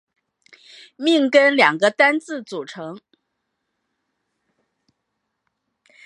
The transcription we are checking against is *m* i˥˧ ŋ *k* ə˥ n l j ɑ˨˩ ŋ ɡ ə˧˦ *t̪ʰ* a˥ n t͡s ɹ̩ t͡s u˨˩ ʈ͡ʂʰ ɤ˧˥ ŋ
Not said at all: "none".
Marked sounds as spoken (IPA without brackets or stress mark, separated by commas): m, k, t̪